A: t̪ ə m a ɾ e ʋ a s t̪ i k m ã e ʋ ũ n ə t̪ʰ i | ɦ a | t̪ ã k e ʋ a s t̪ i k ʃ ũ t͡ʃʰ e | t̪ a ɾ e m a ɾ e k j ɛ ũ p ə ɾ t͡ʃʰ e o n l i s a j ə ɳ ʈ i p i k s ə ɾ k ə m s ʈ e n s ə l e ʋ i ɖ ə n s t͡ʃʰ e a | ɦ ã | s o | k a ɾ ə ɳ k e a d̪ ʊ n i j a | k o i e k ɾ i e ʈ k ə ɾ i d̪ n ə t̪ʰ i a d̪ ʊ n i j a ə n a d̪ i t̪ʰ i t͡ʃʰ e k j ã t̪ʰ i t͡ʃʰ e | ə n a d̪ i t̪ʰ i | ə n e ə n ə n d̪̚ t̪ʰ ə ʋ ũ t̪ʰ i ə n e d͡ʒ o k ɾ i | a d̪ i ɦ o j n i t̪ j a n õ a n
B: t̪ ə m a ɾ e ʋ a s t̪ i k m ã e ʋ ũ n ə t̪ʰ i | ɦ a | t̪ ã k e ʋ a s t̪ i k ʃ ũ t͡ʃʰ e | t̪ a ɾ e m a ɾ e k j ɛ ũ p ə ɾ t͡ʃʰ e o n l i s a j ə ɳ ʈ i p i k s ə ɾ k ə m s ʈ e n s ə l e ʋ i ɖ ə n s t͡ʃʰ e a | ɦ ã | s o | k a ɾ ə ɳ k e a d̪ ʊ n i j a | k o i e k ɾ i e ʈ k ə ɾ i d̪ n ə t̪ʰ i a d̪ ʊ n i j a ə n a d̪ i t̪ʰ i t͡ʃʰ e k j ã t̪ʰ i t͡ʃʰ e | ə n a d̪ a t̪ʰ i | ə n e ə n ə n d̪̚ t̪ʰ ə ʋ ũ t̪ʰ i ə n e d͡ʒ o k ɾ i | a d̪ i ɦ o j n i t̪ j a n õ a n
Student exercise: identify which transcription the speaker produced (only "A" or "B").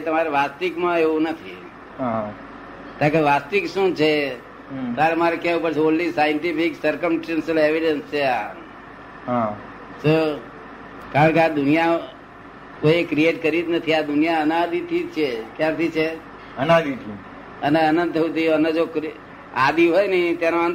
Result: A